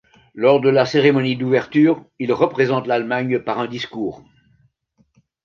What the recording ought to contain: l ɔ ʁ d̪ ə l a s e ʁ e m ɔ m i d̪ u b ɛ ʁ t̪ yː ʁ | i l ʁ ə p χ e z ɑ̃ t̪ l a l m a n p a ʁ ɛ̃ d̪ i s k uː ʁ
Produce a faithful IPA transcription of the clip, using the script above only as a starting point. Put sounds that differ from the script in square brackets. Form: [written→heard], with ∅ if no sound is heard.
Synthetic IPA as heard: l ɔ ʁ d̪ ə l a s e ʁ e m ɔ [m→n] i d̪ u [b→v] ɛ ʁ t̪ yː ʁ | i l ʁ ə p χ e z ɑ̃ t̪ l a l m a [n→ɲ] p a ʁ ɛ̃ d̪ i s k uː ʁ